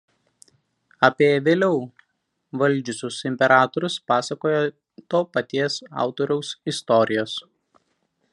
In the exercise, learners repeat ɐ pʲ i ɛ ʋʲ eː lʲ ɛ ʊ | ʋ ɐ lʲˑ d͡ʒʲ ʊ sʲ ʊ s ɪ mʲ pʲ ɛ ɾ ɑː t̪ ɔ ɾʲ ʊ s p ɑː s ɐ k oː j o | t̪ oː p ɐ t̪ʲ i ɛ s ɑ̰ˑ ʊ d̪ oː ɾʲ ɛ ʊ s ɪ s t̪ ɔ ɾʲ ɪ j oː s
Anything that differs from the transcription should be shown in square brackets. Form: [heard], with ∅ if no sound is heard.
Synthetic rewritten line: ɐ pʲ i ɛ ʋʲ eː lʲ ɛ ʊ | ʋ ɐ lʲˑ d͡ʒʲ ʊ sʲ ʊ s ɪ mʲ pʲ ɛ ɾ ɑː t̪ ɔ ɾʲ ʊ s p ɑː s ɐ k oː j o | t̪ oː p ɐ t̪ʲ i ɛ s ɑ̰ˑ ʊ [t̪] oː ɾʲ ɛ ʊ s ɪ s t̪ ɔ ɾʲ ɪ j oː s